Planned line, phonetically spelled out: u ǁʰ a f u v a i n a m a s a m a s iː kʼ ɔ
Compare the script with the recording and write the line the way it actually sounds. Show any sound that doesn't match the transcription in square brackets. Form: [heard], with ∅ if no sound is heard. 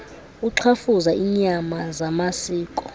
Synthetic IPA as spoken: u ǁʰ a f u [z] a i [ɲ] a m a [z] a m a s iː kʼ ɔ